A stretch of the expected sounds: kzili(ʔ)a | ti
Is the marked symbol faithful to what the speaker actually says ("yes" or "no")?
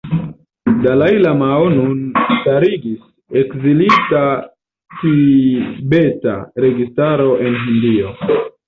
no